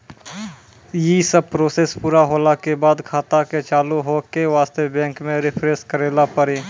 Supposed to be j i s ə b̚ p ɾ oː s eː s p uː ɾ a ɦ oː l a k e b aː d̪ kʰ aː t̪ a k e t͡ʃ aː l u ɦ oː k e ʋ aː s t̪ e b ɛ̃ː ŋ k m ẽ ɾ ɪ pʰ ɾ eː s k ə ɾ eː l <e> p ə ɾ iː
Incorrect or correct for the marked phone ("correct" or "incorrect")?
incorrect